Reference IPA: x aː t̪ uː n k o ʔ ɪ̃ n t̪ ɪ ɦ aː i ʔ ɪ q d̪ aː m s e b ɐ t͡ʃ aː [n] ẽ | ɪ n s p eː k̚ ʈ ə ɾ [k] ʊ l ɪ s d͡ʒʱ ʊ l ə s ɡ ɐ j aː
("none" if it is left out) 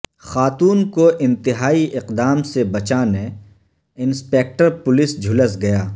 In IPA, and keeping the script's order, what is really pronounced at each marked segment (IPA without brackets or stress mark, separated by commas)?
n, p